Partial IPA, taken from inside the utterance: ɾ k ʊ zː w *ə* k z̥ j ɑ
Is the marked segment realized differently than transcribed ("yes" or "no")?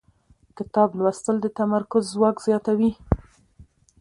yes